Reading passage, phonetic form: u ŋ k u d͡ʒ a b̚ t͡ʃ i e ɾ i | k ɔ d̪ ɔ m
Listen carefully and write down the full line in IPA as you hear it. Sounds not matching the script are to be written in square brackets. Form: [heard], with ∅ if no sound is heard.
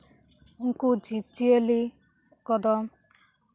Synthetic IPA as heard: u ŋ k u d͡ʒ [i] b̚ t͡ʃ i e [l] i | k ɔ d̪ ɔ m